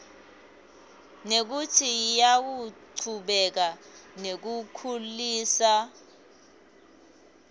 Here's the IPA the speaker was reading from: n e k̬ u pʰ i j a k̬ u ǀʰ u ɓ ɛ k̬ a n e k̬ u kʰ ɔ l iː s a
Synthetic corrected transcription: n e k̬ u tʰ i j a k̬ u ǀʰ u ɓ ɛ k̬ a n e k̬ u kʰ u l iː s a